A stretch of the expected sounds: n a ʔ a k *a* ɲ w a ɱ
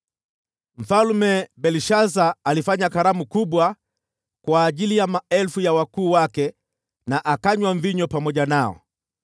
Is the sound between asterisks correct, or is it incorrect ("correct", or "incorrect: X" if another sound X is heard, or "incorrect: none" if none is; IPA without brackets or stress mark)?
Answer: correct